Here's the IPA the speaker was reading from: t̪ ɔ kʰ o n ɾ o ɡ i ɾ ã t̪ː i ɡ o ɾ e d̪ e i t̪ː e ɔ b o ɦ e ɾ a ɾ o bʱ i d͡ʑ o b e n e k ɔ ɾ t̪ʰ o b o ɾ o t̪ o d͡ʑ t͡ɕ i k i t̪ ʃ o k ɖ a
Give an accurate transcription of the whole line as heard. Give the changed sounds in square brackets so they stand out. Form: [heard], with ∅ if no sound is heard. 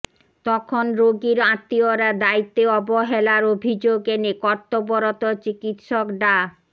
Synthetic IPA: t̪ ɔ kʰ o n ɾ o ɡ i ɾ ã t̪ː i [∅] o ɾ [a] d̪ [a] i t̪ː e ɔ b o ɦ e [l] a ɾ o bʱ i d͡ʑ o [ɡ] e n e k ɔ ɾ [t̪] o b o ɾ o t̪ o [∅] t͡ɕ i k i t̪ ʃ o k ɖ a